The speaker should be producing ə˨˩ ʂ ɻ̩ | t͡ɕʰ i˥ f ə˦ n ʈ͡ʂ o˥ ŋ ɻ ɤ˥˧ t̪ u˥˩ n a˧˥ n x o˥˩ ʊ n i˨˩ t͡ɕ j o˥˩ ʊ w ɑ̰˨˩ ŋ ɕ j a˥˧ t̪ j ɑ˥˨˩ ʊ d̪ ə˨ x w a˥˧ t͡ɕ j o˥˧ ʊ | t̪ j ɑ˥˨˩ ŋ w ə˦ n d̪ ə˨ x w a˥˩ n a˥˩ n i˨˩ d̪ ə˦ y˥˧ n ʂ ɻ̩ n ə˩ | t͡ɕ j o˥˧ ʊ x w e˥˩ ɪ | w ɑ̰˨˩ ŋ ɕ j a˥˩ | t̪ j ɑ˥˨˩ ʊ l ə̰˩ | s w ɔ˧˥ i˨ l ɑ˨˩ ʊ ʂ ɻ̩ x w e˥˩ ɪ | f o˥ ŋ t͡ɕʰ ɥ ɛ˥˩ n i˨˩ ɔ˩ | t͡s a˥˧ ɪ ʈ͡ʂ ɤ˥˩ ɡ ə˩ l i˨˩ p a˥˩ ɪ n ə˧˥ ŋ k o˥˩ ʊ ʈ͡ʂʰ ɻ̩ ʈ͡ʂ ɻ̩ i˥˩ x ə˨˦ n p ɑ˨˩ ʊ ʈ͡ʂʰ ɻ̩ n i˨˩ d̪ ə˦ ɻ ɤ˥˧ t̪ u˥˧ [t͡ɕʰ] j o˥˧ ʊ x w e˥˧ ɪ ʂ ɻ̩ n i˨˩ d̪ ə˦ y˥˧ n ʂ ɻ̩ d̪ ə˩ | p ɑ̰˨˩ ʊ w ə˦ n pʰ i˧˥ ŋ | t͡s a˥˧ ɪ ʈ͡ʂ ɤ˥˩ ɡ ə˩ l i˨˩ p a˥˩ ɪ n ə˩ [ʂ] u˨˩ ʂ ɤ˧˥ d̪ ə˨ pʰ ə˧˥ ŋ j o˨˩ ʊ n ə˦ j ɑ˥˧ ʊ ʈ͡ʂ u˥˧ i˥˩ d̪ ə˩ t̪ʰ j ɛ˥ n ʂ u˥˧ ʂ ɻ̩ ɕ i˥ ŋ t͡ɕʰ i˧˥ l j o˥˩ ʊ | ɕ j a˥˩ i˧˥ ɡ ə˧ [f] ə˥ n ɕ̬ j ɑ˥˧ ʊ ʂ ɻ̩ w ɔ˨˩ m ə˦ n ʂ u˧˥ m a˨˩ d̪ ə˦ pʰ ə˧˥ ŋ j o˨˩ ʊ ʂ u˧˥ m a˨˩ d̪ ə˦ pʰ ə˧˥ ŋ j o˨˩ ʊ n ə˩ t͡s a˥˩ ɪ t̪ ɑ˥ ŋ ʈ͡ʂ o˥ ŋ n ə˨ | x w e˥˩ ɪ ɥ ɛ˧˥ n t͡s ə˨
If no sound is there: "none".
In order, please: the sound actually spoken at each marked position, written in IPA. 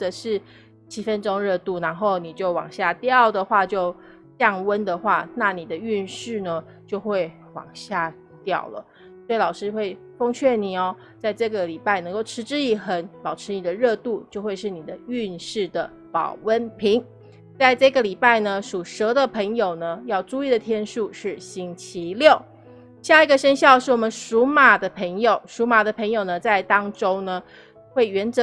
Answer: t͡ɕ, ʂ, ʂ

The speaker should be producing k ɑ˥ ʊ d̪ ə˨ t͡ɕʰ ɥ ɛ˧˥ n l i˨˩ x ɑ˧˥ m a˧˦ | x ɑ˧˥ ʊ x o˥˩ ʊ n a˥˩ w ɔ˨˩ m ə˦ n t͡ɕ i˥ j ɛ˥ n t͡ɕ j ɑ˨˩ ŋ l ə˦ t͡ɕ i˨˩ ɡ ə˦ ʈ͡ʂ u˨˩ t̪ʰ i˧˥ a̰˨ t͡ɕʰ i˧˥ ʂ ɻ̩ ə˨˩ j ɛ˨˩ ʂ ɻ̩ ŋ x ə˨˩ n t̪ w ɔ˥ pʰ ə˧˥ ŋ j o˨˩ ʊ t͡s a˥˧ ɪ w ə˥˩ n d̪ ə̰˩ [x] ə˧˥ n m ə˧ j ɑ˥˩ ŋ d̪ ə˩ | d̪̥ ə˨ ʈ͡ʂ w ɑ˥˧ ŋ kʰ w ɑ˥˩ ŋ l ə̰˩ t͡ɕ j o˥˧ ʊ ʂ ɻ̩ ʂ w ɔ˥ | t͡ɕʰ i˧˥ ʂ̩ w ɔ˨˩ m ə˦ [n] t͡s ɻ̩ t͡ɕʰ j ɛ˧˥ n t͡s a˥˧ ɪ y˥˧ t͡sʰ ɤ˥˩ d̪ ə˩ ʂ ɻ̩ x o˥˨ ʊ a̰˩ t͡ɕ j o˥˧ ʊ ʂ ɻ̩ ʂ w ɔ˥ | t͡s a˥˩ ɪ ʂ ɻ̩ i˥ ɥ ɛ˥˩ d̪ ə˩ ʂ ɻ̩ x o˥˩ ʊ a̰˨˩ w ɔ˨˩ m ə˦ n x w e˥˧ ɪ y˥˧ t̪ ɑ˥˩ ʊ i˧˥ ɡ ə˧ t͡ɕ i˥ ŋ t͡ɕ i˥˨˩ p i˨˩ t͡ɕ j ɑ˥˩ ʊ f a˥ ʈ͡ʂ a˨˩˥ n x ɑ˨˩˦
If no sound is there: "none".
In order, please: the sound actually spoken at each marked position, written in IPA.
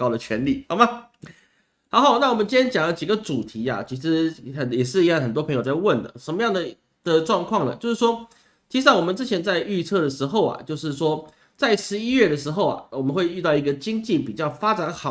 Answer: ʂ, n

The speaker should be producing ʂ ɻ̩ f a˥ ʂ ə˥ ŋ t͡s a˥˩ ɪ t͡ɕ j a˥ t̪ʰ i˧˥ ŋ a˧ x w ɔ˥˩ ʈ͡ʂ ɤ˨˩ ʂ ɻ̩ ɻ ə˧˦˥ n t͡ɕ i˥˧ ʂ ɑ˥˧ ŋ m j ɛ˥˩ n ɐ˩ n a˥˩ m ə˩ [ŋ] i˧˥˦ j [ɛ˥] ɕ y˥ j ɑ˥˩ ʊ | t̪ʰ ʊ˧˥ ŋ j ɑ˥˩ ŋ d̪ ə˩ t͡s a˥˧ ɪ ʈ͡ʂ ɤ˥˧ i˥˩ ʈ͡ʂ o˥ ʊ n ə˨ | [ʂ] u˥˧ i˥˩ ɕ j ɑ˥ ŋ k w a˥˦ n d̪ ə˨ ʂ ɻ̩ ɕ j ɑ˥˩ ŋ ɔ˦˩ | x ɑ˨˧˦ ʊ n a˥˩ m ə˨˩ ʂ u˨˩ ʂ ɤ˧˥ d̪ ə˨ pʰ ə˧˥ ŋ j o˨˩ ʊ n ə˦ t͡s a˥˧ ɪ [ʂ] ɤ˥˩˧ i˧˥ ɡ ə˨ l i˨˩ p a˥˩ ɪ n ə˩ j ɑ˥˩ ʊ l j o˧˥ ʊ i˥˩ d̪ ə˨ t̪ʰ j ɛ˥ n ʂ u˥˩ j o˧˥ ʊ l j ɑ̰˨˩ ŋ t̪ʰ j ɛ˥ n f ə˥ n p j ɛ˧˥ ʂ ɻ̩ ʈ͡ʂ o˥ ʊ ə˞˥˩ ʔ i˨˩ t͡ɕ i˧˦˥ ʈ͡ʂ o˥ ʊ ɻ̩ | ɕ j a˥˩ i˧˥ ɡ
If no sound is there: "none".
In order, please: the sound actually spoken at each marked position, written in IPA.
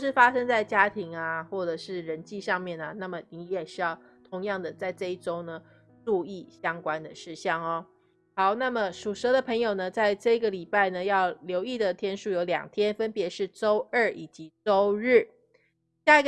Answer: n, ɛ˨˩, ʈ͡ʂ, ʈ͡ʂ

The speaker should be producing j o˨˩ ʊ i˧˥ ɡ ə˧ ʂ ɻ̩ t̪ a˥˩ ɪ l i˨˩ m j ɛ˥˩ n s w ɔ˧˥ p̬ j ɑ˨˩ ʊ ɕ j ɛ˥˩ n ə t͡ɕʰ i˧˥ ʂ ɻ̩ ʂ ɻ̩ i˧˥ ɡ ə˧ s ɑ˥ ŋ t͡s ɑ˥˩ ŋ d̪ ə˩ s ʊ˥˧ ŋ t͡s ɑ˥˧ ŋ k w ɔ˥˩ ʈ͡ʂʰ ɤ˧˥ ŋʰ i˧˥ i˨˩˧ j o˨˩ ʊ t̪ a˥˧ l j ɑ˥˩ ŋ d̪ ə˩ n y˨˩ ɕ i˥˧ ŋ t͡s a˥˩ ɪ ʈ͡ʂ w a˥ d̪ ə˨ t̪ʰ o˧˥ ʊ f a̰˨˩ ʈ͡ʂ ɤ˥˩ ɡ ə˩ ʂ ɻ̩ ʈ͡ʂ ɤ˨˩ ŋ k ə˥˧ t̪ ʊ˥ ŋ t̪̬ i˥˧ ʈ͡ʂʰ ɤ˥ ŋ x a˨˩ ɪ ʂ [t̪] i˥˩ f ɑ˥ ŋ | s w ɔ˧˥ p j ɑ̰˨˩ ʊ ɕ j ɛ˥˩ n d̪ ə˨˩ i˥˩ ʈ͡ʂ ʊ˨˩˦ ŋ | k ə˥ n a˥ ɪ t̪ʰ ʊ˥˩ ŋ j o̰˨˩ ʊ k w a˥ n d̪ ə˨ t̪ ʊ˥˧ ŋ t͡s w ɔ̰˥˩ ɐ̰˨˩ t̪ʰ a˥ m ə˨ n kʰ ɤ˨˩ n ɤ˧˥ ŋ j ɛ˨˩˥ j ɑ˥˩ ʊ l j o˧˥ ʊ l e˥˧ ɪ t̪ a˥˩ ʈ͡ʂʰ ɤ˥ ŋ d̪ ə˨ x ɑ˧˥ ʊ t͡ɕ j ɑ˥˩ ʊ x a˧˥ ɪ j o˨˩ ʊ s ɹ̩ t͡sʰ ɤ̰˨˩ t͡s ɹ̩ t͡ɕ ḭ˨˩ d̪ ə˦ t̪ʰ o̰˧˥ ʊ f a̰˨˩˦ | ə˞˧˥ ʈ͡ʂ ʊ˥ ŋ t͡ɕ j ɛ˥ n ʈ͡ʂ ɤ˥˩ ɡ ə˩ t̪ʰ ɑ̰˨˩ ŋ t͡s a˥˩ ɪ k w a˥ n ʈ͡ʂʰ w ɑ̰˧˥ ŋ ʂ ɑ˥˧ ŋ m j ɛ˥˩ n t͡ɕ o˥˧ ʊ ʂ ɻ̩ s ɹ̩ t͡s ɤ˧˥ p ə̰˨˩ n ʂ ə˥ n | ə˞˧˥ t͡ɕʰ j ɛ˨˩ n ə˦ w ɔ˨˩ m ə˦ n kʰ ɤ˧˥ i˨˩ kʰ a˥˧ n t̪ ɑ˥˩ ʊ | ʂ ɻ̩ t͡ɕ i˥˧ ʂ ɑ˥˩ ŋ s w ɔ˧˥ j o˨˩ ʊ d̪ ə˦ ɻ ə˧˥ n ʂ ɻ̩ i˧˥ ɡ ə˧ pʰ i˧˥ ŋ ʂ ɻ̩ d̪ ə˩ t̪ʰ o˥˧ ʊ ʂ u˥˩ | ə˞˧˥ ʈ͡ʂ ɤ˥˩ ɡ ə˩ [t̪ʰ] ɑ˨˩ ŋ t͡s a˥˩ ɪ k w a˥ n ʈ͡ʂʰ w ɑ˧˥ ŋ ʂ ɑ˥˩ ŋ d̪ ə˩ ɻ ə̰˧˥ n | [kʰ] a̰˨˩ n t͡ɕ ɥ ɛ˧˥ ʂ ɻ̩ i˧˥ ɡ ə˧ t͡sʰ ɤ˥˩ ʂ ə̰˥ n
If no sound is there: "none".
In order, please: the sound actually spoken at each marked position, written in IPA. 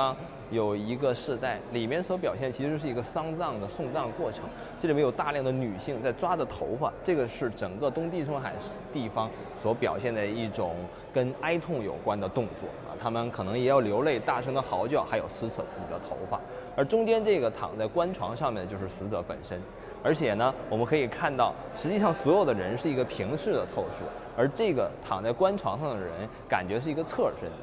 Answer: t̪, t̪ʰ, k

